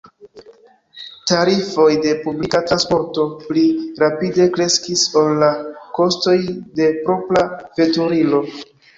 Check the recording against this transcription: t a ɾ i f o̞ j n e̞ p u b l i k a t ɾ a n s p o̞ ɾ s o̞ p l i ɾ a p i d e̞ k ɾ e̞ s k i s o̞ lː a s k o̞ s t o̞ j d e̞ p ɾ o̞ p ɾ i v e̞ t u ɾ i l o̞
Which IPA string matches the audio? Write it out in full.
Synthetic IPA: t a ɾ i f o̞ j d e̞ p u b l i k a t ɾ a n s p o̞ ɾ t o̞ p l i ɾ a p i d e̞ k ɾ e̞ s k i s o̞ lː a k o̞ s t o̞ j d e̞ p ɾ o̞ p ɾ a v e̞ t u ɾ i l o̞